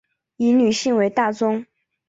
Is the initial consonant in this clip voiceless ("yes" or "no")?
no